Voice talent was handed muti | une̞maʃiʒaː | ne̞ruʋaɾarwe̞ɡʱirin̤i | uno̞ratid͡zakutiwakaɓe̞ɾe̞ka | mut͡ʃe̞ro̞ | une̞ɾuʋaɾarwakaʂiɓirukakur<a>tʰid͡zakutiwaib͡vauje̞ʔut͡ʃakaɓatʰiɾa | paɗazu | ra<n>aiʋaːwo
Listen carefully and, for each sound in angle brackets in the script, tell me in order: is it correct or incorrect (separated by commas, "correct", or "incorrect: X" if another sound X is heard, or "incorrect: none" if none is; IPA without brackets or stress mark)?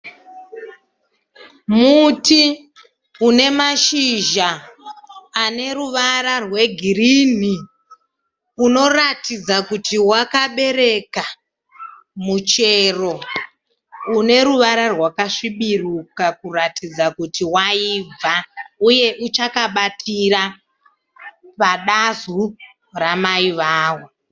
correct, incorrect: m